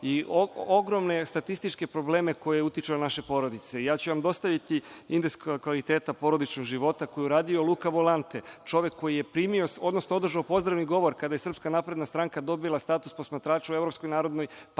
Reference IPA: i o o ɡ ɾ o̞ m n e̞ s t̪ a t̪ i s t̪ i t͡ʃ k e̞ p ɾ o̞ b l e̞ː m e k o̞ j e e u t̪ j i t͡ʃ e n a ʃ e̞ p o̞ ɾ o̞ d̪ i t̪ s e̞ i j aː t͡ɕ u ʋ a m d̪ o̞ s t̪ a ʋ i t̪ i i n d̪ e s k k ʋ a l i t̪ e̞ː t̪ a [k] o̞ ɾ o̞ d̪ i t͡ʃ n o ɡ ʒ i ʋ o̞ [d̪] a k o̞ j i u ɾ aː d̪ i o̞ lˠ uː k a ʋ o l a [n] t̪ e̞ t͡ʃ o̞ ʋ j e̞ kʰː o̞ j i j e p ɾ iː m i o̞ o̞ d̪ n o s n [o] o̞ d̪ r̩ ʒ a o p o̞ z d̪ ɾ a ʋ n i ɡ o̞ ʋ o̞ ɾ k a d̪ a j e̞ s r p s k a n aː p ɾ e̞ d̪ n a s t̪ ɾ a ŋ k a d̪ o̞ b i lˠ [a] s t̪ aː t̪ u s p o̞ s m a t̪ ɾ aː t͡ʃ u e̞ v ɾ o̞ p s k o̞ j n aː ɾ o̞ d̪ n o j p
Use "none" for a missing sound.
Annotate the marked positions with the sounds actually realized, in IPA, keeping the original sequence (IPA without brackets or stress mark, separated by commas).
p, t̪, n, o, a